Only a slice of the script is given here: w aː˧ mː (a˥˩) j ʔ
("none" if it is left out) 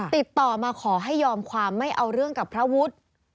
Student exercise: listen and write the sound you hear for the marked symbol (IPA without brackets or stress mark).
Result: a˥˩